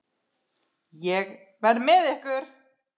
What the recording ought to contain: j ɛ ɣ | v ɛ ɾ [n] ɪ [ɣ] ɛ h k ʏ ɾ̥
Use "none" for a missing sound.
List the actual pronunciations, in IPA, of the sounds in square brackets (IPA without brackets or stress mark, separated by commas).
m, ð